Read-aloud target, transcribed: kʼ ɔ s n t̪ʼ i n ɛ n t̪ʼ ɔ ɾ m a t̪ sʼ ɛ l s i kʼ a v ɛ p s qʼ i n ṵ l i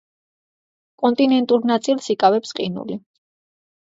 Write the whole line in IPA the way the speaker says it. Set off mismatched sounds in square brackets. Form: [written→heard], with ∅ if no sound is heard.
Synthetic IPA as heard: kʼ ɔ [s→∅] n t̪ʼ i n ɛ n t̪ʼ [ɔ→u] ɾ [m→n] a t̪ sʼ [ɛ→i] l s i kʼ a v ɛ p s qʼ i n ṵ l i